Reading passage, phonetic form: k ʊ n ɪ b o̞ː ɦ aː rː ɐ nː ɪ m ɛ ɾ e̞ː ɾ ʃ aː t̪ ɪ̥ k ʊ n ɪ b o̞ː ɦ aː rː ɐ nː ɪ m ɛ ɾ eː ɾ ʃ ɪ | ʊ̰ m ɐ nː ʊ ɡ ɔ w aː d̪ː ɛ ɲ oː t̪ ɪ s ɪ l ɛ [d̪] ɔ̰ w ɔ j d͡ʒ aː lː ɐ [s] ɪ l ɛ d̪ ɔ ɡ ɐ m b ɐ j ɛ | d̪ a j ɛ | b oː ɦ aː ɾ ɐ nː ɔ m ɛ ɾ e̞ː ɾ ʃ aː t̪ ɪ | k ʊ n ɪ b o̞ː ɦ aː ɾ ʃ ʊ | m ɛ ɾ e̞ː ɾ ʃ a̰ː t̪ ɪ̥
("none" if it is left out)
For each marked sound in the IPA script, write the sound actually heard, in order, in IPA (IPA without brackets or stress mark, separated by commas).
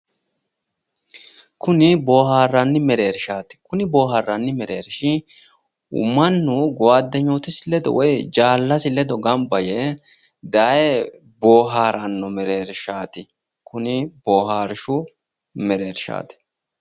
d̪, s